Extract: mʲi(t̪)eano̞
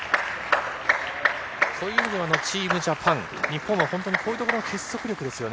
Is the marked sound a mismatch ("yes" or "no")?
yes